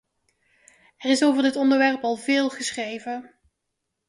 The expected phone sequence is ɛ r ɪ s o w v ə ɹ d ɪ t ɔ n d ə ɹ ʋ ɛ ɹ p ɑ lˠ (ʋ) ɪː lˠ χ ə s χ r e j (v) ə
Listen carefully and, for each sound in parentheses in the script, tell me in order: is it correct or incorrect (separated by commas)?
incorrect, correct